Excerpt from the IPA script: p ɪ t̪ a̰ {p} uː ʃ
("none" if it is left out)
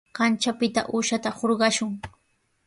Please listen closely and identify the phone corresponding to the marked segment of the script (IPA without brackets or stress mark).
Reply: ʔ